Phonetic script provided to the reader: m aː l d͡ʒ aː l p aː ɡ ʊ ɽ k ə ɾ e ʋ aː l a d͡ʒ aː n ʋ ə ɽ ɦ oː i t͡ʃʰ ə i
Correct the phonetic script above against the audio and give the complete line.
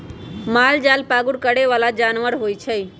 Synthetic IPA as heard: m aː l d͡ʒ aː l p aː ɡ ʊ ɽ k ə ɽ e ʋ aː l a d͡ʒ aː n ʋ ə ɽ ɦ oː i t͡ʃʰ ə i